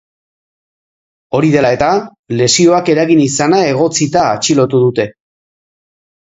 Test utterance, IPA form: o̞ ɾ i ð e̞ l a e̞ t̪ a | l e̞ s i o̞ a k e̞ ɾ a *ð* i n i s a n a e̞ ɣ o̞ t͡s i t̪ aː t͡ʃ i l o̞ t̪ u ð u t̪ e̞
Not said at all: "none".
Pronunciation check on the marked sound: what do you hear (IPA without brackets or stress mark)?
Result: ɣ